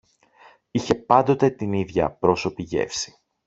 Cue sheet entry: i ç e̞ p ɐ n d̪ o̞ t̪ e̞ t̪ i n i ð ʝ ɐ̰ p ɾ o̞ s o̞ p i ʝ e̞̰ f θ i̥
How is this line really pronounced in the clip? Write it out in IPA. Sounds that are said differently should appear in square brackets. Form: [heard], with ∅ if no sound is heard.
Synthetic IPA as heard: i ç e̞ p ɐ n d̪ o̞ t̪ e̞ t̪ i n i ð ʝ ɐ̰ p ɾ o̞ s o̞ p i ʝ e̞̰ f [s] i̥